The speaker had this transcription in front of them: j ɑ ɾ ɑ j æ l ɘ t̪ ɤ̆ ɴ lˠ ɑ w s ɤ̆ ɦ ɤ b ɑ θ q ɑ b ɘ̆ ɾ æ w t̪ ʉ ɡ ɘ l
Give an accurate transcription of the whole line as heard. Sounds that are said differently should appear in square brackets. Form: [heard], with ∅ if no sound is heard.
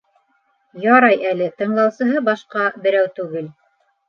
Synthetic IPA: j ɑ ɾ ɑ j æ l ɘ t̪ ɤ̆ ɴ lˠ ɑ w s ɤ̆ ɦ ɤ b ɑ [ʃ] q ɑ b ɘ̆ ɾ æ w t̪ ʉ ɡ ɘ l